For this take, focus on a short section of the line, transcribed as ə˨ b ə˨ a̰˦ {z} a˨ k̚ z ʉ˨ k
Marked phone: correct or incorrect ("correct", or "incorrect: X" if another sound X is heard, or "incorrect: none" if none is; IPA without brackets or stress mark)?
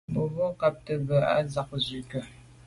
correct